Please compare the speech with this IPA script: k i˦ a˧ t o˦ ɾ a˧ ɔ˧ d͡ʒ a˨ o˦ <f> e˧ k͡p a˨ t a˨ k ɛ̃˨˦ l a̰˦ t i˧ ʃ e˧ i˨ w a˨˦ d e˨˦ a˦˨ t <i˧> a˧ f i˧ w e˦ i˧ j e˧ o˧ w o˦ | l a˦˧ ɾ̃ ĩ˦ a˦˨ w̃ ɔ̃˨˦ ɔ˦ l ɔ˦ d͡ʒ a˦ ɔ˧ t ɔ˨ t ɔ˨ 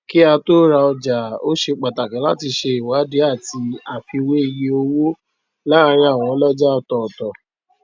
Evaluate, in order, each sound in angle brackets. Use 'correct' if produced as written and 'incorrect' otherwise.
incorrect: ʃ, correct

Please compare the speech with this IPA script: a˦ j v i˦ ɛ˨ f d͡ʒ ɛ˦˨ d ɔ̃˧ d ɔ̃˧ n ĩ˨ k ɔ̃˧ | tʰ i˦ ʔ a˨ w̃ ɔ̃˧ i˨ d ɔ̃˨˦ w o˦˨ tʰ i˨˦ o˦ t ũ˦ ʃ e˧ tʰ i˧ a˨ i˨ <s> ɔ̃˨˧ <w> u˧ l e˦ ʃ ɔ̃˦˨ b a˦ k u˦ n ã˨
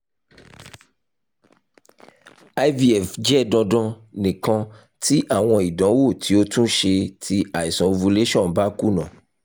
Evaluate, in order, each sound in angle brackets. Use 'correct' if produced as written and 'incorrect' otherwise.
correct, incorrect: v

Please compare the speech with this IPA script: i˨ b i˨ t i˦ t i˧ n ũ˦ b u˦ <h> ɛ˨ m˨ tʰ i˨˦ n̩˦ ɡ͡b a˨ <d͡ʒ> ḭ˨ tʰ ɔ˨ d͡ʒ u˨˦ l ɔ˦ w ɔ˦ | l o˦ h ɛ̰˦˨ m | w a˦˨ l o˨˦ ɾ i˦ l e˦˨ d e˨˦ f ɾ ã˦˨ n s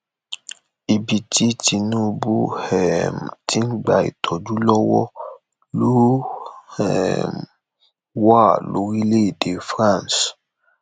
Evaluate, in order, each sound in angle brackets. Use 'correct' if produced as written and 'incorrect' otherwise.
correct, incorrect: none

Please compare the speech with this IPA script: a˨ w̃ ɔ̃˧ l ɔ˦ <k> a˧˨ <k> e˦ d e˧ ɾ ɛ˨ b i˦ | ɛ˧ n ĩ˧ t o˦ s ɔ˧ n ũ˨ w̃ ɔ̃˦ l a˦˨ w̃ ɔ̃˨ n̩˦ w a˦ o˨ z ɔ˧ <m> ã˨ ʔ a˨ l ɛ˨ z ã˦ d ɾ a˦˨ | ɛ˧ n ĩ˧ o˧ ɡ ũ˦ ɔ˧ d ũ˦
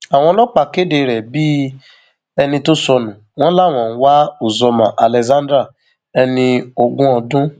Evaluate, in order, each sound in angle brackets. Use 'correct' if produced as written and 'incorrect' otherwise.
incorrect: k͡p, correct, correct

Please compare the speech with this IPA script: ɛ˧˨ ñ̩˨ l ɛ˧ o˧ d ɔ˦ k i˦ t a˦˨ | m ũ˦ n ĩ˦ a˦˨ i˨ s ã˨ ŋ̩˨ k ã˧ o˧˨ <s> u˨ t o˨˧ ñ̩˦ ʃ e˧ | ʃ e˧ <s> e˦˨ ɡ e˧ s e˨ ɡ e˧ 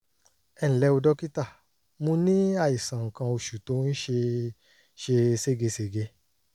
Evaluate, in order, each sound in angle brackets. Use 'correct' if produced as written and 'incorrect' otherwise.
incorrect: ʃ, correct

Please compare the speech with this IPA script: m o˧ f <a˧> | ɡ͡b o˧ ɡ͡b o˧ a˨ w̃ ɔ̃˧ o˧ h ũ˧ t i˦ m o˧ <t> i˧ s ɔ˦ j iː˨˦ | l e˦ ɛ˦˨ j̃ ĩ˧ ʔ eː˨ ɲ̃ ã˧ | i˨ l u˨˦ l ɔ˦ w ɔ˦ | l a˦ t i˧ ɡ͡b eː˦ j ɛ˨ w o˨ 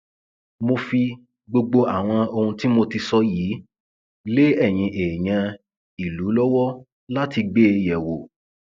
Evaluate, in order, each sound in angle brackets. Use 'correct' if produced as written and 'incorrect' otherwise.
incorrect: i˧, correct

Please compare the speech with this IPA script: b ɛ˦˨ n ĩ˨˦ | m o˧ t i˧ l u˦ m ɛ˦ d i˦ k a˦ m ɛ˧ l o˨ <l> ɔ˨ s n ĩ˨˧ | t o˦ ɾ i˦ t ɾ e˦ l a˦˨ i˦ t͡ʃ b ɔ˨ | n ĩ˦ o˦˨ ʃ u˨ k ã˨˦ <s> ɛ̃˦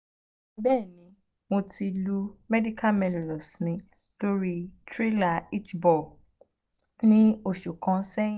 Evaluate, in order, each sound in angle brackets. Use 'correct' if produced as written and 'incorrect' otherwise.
correct, correct

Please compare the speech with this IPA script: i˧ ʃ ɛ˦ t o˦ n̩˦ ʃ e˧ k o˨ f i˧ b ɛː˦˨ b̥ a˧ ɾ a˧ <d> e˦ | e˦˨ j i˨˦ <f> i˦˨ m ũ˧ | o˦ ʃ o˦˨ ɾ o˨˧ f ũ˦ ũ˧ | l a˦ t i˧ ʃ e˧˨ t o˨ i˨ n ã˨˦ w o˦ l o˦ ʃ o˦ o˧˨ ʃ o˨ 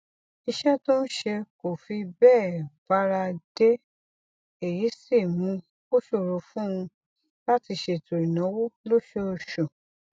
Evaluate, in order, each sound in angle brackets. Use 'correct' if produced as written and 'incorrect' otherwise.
correct, incorrect: s

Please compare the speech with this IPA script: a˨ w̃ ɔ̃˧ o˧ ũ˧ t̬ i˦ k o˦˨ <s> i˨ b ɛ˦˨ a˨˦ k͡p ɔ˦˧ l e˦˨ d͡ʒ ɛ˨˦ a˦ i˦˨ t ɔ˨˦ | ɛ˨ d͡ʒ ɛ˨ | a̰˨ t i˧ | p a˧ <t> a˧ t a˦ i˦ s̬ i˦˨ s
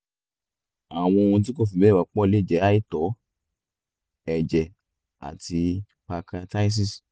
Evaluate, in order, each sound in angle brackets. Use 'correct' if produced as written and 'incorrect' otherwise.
incorrect: f, incorrect: k

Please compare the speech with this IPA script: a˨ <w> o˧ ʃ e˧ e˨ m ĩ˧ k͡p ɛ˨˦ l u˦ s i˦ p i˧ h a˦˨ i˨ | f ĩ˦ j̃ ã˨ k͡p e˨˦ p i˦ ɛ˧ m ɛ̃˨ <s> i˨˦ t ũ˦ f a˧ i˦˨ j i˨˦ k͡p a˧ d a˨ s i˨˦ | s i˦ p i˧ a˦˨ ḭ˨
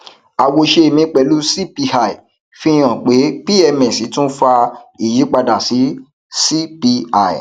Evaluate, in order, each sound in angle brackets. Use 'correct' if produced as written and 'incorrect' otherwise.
correct, correct

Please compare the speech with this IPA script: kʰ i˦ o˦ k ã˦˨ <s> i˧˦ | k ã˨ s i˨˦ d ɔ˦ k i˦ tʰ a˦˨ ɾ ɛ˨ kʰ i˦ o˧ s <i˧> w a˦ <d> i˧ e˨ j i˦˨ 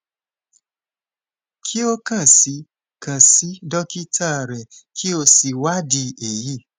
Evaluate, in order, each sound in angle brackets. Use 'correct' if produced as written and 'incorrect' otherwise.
correct, correct, correct

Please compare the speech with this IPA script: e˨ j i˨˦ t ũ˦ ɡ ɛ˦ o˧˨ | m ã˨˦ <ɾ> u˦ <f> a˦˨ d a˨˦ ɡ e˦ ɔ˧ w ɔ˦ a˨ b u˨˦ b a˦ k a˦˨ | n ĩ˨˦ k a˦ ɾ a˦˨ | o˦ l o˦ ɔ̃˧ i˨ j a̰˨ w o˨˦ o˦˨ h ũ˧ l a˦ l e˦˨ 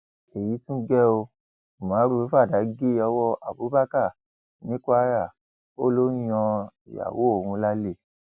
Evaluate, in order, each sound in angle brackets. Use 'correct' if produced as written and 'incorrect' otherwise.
correct, correct

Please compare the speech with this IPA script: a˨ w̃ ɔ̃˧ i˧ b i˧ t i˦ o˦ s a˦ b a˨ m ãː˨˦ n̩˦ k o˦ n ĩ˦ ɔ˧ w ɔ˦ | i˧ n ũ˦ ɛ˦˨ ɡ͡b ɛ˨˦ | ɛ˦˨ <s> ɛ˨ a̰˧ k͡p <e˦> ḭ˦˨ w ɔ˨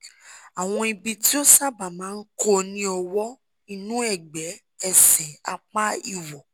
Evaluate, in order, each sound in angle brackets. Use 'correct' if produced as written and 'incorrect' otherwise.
correct, incorrect: a˦

